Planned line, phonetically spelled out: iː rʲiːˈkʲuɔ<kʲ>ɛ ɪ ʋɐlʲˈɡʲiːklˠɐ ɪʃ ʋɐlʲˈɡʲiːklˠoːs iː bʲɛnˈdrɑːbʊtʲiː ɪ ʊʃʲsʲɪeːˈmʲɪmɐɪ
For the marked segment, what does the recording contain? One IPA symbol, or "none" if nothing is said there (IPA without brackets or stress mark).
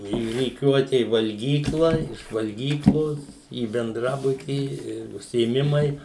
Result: tʲ